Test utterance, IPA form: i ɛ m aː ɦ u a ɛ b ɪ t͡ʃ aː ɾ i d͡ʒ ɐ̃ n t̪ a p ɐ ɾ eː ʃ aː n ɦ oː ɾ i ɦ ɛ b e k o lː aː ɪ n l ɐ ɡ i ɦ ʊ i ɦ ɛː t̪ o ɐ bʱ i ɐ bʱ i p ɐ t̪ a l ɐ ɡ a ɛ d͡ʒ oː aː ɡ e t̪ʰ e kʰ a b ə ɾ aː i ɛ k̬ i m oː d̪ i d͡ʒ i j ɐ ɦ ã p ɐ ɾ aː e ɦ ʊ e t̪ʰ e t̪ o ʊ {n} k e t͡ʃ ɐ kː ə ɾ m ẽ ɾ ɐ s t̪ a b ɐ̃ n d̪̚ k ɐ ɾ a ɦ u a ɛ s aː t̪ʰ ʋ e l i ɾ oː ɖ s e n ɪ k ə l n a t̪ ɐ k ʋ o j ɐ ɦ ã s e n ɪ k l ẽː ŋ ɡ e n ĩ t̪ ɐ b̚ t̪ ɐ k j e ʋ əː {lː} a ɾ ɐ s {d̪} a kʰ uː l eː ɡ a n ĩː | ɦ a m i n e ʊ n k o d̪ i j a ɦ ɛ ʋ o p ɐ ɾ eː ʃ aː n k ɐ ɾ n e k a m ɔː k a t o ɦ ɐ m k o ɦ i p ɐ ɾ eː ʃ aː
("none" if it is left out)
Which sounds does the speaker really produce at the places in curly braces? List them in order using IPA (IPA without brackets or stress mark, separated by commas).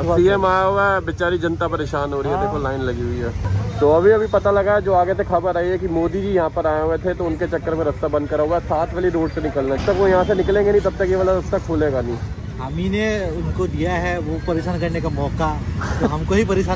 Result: n, l, t̪